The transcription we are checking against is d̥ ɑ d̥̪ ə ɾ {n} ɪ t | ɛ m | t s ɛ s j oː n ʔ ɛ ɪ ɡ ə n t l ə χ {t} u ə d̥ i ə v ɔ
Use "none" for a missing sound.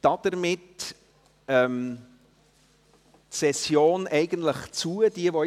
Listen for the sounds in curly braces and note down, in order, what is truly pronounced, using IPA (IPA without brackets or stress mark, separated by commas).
m, t͡s